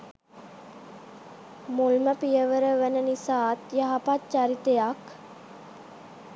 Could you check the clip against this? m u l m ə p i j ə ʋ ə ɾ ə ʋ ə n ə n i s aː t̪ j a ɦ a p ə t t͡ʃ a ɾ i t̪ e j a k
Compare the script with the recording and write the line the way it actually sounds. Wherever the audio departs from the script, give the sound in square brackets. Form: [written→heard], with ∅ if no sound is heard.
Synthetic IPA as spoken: m u l m ə p i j ə ʋ ə ɾ ə ʋ ə n ə n i s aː t̪ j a ɦ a p [ə→a] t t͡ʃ a ɾ i t̪ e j a k